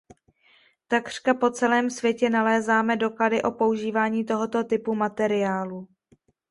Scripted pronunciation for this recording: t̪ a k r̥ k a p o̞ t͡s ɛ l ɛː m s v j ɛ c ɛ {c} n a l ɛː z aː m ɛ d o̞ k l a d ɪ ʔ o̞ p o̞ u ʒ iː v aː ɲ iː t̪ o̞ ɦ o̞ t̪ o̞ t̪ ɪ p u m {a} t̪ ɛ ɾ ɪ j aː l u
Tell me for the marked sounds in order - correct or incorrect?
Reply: incorrect, correct

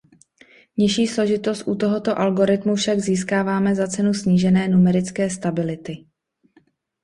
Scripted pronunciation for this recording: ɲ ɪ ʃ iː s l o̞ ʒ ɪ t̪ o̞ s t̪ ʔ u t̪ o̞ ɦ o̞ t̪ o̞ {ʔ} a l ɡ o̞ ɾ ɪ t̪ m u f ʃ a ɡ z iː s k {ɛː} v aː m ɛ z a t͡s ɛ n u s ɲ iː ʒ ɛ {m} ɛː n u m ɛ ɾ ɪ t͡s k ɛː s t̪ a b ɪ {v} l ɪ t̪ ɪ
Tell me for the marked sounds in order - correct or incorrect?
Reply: correct, incorrect, incorrect, incorrect

